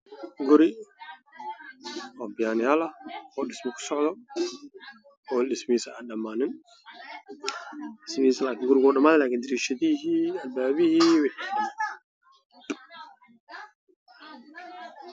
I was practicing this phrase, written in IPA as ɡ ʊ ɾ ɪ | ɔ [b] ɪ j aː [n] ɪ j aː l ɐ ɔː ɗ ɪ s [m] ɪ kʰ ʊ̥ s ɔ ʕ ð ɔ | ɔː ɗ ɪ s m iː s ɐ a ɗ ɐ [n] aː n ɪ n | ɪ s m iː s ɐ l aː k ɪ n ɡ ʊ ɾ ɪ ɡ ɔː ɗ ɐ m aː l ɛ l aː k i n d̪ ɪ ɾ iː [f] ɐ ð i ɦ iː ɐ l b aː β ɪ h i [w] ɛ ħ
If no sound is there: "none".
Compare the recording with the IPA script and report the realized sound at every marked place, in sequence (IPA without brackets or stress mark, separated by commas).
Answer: b, n, m, m, ʃ, w